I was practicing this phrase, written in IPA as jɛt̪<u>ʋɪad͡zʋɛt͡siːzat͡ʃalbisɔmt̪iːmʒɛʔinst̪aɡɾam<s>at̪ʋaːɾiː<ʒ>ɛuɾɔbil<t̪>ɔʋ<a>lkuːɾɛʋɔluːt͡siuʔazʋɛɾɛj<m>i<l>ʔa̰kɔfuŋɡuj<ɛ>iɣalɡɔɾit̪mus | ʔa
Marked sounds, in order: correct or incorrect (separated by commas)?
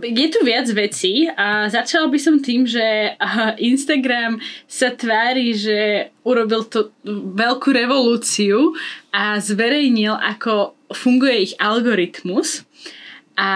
correct, correct, correct, correct, incorrect, incorrect, correct, correct